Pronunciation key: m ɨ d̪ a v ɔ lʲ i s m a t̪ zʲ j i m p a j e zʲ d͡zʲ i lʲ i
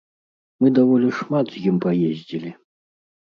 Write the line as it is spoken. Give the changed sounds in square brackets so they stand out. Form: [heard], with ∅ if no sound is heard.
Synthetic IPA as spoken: m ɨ d̪ a v ɔ lʲ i [ʂ] m a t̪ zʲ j i m p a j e zʲ d͡zʲ i lʲ i